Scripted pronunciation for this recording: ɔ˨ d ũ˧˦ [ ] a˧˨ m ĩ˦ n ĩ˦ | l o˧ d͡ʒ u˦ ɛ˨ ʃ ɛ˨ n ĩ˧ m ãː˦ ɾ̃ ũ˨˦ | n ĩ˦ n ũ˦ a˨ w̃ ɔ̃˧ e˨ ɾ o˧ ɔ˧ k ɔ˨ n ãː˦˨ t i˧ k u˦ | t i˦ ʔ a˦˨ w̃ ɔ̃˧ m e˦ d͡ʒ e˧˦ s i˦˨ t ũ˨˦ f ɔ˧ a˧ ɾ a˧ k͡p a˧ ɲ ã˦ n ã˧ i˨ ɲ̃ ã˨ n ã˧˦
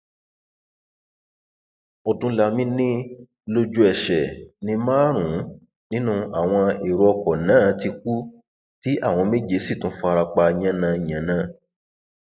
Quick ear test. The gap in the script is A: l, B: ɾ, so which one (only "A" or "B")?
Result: A